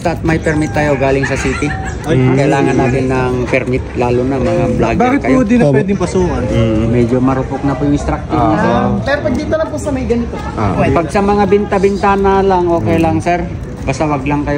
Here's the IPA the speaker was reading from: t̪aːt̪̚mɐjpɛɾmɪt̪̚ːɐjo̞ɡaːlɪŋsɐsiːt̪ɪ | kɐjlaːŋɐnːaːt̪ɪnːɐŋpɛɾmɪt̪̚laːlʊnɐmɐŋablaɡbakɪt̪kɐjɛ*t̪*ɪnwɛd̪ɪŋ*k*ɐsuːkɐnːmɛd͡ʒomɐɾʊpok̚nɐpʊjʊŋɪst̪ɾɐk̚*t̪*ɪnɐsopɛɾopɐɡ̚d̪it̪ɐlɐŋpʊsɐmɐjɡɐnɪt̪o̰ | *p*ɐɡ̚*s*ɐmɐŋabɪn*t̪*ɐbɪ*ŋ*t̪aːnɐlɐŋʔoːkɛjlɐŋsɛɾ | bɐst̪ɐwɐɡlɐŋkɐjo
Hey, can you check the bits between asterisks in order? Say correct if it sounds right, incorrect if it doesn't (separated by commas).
incorrect, incorrect, correct, correct, correct, correct, incorrect